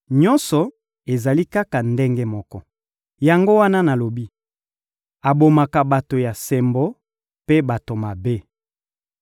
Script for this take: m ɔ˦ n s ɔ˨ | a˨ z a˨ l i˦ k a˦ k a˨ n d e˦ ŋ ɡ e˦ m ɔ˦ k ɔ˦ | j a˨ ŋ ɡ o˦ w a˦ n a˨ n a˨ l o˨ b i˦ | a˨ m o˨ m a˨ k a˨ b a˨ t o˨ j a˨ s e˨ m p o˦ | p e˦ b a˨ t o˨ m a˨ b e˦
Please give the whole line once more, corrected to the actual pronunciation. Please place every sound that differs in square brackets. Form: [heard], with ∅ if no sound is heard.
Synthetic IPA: [ɲ] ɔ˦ n s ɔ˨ | [e˨] z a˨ l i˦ k a˦ k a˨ n d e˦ ŋ ɡ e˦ m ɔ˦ k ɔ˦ | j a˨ ŋ ɡ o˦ w a˦ n [a˦] n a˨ l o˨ b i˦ | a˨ [b] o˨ m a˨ k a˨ b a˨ t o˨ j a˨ s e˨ m [b] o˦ | p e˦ b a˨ t o˨ m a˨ b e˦